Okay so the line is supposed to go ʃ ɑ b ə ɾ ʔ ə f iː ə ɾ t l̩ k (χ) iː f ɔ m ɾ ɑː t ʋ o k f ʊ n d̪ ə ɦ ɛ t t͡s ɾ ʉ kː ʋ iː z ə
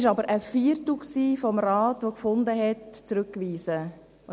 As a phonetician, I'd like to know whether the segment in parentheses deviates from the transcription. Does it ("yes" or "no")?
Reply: yes